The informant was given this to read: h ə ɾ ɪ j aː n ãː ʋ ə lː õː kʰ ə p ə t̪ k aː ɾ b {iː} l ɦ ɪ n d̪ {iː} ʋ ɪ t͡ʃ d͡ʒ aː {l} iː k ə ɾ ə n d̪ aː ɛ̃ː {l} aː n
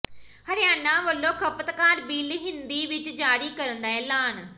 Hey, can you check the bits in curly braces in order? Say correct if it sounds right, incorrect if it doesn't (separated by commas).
correct, correct, incorrect, correct